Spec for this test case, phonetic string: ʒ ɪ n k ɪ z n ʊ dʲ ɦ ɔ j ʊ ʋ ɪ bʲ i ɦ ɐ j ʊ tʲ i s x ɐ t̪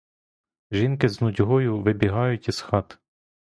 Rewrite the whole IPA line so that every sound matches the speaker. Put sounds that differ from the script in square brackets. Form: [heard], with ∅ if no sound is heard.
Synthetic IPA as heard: ʒ [i] n k ɪ z n ʊ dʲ ɦ ɔ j ʊ ʋ ɪ bʲ i ɦ [ɑ] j ʊ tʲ i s x [ɑ] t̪

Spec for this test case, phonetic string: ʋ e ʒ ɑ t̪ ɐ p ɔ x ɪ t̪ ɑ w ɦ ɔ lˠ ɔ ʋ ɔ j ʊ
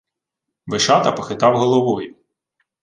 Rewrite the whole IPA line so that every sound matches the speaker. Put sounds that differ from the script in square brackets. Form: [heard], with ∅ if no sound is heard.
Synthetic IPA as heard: ʋ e [ʃ] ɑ t̪ ɐ p ɔ x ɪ t̪ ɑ w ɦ ɔ lˠ ɔ ʋ ɔ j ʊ

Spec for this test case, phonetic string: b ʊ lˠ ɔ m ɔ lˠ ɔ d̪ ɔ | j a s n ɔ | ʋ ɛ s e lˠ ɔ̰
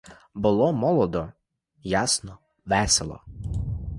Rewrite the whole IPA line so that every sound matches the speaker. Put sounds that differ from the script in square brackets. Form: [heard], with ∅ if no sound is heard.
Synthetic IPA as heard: b ʊ lˠ ɔ m ɔ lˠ ɔ d̪ ɔ | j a s n ɔ | ʋ ɛ s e lˠ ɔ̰

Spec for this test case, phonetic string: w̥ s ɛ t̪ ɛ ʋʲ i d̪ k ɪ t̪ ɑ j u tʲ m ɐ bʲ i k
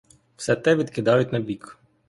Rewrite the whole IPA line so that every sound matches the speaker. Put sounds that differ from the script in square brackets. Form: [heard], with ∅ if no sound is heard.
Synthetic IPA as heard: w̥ s ɛ t̪ ɛ ʋʲ i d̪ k ɪ [d̪] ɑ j [ʊ] tʲ [n] ɐ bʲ i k

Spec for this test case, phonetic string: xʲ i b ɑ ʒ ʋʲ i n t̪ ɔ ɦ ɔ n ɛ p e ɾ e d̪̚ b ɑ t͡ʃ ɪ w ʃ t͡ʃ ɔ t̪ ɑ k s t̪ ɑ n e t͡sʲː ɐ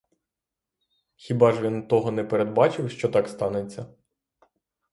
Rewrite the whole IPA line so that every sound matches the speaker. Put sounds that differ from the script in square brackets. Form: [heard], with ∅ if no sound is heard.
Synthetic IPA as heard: xʲ i b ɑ ʒ ʋʲ i n t̪ ɔ ɦ ɔ n ɛ p e ɾ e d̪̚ b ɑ t͡ʃ ɪ w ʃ t͡ʃ ɔ t̪ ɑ k s t̪ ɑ n e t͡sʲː ɐ

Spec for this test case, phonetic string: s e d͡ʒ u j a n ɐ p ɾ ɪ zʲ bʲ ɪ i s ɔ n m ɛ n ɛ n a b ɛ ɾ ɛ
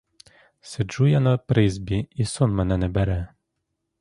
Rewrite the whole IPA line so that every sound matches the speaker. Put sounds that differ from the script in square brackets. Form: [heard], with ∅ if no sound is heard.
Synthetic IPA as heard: s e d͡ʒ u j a n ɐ p ɾ ɪ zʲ bʲ [i] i s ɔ n m ɛ n ɛ n [ɛ] b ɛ ɾ ɛ

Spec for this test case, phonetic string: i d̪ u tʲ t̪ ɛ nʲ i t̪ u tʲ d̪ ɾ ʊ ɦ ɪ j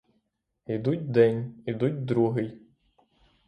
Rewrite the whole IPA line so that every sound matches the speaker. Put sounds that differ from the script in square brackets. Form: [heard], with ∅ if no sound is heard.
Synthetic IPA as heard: i d̪ u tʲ [d̪] ɛ nʲ i [d̪] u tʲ d̪ ɾ [u] ɦ ɪ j

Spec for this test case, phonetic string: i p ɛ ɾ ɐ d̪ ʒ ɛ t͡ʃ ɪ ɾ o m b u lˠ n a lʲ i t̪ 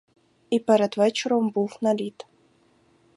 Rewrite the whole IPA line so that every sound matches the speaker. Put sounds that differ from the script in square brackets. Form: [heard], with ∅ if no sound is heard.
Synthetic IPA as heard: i p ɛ ɾ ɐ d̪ [v] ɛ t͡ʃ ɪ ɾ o m b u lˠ n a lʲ i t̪

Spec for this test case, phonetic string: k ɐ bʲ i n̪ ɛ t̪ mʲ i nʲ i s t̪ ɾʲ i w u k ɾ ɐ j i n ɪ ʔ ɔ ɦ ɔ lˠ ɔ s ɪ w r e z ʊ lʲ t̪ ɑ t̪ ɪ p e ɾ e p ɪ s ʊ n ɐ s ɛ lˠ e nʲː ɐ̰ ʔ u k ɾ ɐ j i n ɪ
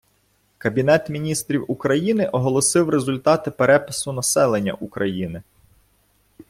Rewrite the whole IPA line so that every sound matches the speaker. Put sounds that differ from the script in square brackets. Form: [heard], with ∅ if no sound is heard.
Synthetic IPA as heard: k ɐ bʲ i n̪ ɛ t̪ mʲ i nʲ i s t̪ ɾʲ i w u k ɾ ɐ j i n ɪ ʔ ɔ ɦ ɔ lˠ ɔ s ɪ w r e z ʊ lʲ t̪ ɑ t̪ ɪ p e ɾ [ɛ] p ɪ s ʊ n ɐ s ɛ lˠ e nʲː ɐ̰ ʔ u k ɾ ɐ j i n ɪ

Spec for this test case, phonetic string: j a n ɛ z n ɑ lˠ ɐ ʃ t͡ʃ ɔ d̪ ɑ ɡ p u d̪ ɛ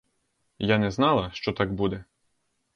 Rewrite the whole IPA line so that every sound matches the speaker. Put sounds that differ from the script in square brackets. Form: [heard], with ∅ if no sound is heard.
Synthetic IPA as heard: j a n ɛ z n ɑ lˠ ɐ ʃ t͡ʃ ɔ [t̪] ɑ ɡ [b] u d̪ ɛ

